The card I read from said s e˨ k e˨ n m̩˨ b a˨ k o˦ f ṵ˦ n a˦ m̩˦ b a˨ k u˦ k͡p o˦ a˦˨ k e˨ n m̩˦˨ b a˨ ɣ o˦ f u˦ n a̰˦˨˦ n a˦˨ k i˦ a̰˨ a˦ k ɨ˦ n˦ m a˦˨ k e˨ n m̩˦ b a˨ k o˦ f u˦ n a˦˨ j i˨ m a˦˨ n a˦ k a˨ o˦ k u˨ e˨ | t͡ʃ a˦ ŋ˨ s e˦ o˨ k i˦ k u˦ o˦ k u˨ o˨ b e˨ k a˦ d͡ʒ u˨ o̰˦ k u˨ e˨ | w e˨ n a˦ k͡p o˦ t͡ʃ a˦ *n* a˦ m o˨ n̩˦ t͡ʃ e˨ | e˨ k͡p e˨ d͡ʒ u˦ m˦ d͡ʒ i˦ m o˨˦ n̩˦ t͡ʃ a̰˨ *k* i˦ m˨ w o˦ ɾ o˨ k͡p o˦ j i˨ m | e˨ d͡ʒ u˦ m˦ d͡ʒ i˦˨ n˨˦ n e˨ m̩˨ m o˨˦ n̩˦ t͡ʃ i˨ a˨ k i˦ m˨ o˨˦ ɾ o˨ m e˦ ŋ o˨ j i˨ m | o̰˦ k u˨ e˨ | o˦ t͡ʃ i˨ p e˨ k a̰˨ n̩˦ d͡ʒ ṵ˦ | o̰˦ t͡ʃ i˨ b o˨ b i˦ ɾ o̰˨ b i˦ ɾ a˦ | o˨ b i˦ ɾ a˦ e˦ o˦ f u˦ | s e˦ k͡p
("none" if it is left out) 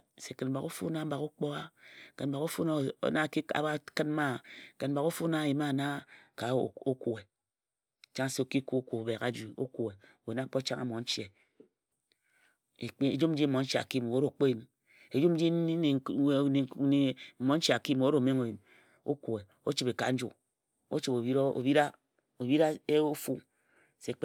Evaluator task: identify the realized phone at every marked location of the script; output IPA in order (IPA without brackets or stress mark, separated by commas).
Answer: ŋ, k